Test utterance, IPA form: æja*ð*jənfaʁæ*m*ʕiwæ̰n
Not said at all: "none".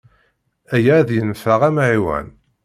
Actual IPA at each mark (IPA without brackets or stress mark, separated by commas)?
ð, m